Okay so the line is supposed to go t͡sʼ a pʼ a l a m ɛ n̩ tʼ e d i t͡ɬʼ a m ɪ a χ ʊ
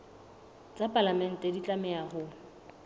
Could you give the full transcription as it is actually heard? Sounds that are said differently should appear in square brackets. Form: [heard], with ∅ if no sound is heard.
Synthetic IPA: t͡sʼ a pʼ a l a m ɛ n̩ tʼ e d i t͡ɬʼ a m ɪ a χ ʊ